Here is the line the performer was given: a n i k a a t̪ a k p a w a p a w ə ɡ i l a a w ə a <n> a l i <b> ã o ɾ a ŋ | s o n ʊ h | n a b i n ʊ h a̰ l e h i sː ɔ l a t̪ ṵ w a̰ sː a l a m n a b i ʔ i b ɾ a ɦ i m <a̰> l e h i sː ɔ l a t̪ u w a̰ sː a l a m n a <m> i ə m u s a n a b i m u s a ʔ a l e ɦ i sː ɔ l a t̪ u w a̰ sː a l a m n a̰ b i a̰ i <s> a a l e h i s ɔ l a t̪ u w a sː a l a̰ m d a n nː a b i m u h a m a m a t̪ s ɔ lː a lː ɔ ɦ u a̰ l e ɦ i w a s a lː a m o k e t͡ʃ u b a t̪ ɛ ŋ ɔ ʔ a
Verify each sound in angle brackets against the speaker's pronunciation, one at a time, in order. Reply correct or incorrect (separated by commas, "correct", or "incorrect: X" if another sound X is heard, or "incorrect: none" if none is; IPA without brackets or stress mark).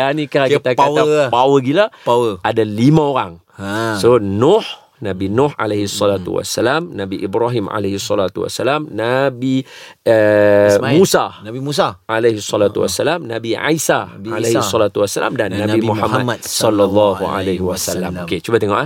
incorrect: d, incorrect: m, correct, incorrect: b, correct